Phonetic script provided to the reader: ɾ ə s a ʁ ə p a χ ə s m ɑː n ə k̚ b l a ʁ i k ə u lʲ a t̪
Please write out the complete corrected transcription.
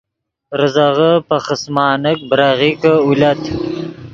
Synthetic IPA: ɾ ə z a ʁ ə p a χ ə s m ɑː n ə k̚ b ɾ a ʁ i k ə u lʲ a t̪